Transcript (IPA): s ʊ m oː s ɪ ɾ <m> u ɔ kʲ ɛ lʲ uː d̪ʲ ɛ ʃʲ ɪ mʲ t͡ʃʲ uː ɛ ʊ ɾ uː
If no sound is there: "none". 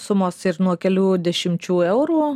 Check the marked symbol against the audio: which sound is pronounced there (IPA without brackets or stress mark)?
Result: n